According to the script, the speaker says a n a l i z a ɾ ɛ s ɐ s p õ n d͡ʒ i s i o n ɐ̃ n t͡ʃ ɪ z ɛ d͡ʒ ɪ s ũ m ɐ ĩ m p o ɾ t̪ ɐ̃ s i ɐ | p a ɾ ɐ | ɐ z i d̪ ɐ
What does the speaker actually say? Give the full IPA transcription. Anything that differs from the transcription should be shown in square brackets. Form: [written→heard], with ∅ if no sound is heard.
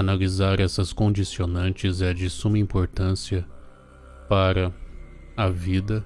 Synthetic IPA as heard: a n a l i z a ɾ ɛ s ɐ s [p→k] õ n d͡ʒ i s i o n ɐ̃ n t͡ʃ ɪ z ɛ d͡ʒ ɪ s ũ m ɐ ĩ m p o ɾ t̪ ɐ̃ s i ɐ | p a ɾ ɐ | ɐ [z→v] i d̪ ɐ

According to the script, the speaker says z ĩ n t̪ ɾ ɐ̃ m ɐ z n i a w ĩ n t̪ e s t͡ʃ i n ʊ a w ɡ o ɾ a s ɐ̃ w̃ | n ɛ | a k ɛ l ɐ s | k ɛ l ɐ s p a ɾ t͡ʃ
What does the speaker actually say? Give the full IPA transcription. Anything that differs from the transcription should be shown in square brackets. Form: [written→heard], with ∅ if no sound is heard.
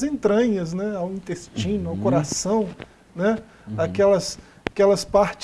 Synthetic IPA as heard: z [ĩ→ẽ] n t̪ ɾ ɐ̃ [m→ɲ] ɐ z n [i→ɛ] a w ĩ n t̪ e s t͡ʃ [i→ĩ] n ʊ a w [ɡ→k] o ɾ a s ɐ̃ w̃ | n ɛ | a k ɛ l ɐ s | k ɛ l ɐ s p a ɾ t͡ʃ

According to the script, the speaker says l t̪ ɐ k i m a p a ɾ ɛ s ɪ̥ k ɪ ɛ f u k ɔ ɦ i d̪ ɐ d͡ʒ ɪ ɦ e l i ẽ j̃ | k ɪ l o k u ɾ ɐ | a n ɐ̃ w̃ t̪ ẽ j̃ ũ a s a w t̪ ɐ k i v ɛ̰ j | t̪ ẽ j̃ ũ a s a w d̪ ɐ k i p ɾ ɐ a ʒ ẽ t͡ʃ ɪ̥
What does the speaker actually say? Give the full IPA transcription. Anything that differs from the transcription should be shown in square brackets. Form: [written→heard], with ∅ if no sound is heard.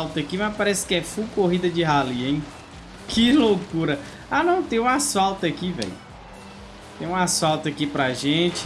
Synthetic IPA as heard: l t̪ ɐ k i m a p a ɾ ɛ s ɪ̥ k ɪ ɛ f u k [ɔ→o] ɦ i d̪ ɐ d͡ʒ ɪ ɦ [e→a] l i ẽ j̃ | k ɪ l o k u ɾ ɐ | a n ɐ̃ w̃ t̪ ẽ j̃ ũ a s a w t̪ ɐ k i v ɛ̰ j | t̪ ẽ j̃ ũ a s a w [d̪→t̪] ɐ k i p ɾ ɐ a ʒ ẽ t͡ʃ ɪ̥

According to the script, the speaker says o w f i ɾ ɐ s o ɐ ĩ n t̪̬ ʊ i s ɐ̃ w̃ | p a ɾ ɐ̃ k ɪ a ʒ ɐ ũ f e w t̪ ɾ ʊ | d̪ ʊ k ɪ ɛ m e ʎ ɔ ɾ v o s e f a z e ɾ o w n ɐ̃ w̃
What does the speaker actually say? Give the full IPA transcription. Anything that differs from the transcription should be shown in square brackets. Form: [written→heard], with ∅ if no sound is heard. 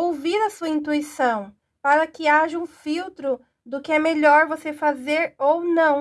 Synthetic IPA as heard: o w [f→v] i ɾ ɐ s [o→u] ɐ ĩ n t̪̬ [ʊ→u] i s ɐ̃ w̃ | p a ɾ [ɐ̃→ɐ] k ɪ a ʒ ɐ ũ f [e→i] w t̪ ɾ ʊ | d̪ ʊ k ɪ ɛ m e ʎ ɔ ɾ v o s e f a z e ɾ o w n ɐ̃ w̃

